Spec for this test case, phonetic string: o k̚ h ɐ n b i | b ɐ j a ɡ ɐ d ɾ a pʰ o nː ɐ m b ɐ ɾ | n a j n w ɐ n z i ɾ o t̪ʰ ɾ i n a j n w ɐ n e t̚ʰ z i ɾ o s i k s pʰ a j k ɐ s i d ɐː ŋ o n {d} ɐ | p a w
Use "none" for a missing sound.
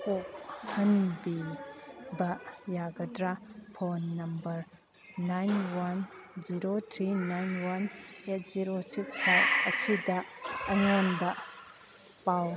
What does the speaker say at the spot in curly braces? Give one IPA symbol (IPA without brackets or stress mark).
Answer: b